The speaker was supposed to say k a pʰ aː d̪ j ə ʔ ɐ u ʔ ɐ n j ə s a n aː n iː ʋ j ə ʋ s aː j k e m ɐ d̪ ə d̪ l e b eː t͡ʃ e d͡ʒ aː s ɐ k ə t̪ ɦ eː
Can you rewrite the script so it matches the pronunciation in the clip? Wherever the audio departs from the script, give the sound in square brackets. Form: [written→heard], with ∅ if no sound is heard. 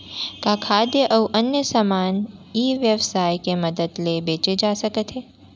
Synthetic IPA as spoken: k a [pʰ→kʰ] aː d̪ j ə ʔ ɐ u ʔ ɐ n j ə s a [n→m] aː n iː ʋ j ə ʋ s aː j k e m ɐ d̪ ə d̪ l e b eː t͡ʃ e d͡ʒ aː s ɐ k ə t̪ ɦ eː